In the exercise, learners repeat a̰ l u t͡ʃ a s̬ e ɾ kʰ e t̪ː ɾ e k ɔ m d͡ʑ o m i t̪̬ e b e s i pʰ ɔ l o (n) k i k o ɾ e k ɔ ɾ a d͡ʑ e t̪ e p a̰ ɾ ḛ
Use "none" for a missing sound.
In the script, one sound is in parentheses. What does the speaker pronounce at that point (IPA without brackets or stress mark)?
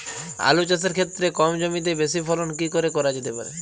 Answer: n